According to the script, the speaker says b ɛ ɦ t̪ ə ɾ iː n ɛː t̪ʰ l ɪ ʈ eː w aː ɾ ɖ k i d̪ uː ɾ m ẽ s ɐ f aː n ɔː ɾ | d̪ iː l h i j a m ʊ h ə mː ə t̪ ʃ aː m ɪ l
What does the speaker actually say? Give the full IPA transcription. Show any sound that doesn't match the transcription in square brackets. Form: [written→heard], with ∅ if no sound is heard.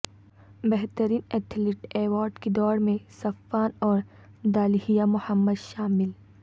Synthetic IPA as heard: b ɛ ɦ t̪ ə ɾ iː n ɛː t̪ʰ l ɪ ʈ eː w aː ɾ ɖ k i d̪ [uː→ɔː] ɾ m ẽ s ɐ f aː n ɔː ɾ | d̪ [iː→aː] l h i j a m ʊ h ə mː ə [t̪→d̪] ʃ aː m ɪ l